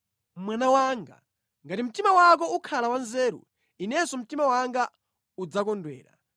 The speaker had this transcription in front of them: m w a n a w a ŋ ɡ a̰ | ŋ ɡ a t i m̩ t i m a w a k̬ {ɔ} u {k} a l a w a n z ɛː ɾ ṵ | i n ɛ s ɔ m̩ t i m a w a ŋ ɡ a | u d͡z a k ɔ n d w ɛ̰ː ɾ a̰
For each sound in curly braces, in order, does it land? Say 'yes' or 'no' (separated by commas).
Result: yes, no